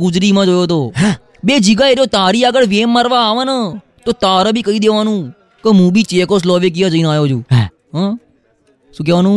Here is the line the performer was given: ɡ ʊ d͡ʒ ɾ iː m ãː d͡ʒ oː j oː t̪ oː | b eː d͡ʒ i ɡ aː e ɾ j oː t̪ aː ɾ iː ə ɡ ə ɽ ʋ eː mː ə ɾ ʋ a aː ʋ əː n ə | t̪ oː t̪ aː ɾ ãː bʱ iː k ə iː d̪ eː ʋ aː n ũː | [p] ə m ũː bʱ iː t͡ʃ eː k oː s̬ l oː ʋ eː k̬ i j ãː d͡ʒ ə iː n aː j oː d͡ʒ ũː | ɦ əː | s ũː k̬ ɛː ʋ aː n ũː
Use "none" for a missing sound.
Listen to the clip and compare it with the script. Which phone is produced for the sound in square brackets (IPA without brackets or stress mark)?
k